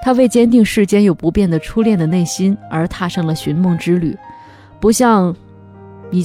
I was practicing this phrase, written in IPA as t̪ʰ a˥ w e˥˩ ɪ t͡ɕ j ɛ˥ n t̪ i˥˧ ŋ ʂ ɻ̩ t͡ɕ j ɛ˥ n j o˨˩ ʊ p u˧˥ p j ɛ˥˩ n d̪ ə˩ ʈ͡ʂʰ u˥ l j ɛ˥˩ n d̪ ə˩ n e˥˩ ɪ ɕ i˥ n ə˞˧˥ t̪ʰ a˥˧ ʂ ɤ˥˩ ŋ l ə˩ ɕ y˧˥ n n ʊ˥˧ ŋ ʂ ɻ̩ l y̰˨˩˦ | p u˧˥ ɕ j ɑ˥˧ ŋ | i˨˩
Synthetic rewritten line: t̪ʰ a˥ w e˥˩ ɪ t͡ɕ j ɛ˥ n t̪ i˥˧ ŋ ʂ ɻ̩ t͡ɕ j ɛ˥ n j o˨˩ ʊ p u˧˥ p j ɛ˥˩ n d̪ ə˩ ʈ͡ʂʰ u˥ l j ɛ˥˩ n d̪ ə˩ n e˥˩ ɪ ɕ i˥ n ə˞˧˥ t̪ʰ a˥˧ ʂ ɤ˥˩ ŋ l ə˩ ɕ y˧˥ n m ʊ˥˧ ŋ ʈ͡ʂ ɻ̩ l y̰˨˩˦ | p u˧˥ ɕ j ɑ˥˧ ŋ | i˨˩